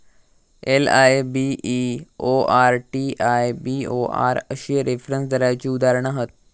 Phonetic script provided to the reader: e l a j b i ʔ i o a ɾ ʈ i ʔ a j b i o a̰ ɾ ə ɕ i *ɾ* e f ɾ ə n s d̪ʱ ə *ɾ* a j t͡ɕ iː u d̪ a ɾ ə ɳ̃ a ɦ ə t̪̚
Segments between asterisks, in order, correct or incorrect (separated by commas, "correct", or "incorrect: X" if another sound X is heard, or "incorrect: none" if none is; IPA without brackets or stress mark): correct, correct